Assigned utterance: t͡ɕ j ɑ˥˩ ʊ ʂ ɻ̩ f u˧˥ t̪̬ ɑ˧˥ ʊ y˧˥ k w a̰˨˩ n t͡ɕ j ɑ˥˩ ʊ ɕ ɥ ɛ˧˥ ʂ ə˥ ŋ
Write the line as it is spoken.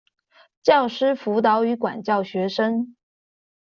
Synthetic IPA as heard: t͡ɕ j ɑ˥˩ ʊ ʂ ɻ̩ f u˧˥ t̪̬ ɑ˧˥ ʊ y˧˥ k w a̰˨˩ n t͡ɕ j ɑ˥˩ ʊ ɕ ɥ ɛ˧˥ ʂ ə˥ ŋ